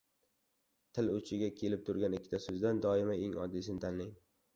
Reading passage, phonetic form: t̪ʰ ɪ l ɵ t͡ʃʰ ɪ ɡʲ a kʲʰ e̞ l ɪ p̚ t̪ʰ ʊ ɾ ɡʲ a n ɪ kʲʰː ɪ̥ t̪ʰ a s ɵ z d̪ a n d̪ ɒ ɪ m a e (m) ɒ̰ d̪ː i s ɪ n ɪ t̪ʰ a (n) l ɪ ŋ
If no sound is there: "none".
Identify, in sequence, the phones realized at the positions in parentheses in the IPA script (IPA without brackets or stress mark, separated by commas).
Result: ŋ, n